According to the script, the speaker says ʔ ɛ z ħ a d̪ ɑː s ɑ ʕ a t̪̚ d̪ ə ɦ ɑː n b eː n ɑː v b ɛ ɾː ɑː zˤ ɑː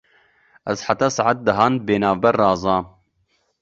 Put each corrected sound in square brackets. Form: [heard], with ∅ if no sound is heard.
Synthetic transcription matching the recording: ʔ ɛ z ħ a [t̪] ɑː s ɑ ʕ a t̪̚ d̪ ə ɦ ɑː n b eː n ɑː v b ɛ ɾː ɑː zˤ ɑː